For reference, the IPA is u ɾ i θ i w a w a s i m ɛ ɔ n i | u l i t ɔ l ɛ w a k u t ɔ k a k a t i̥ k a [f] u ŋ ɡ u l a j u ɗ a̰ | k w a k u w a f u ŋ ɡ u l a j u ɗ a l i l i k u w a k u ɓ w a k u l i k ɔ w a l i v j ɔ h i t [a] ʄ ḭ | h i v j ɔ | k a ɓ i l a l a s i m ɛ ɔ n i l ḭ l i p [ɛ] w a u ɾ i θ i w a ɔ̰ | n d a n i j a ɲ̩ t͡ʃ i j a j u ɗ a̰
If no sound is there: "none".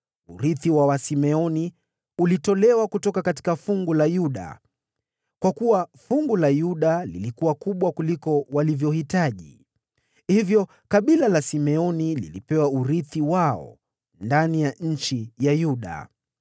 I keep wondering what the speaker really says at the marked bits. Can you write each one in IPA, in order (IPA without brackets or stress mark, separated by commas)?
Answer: f, a, ɛ